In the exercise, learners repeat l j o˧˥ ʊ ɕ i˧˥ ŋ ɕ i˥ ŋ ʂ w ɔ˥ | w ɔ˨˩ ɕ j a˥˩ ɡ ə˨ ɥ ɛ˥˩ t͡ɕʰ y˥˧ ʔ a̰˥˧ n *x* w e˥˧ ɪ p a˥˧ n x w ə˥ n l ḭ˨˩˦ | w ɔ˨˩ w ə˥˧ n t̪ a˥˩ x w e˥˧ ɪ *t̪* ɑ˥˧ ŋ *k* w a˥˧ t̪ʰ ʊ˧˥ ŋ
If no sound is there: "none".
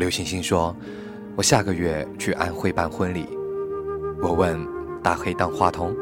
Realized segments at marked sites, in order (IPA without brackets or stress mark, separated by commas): x, t̪, x